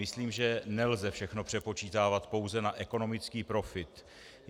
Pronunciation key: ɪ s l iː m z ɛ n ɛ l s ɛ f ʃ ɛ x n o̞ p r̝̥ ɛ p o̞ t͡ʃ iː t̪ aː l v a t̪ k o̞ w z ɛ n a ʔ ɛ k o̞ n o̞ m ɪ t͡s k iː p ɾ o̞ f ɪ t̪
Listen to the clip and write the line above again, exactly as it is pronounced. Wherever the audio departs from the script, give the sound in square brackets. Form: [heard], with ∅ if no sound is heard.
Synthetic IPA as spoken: ɪ s l iː m [ʒ] ɛ n ɛ l [z] ɛ f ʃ ɛ x n o̞ p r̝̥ ɛ p o̞ t͡ʃ iː t̪ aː [∅] v a t̪ [p] o̞ w z ɛ n a ʔ ɛ k o̞ n o̞ m ɪ t͡s k iː p ɾ o̞ f ɪ t̪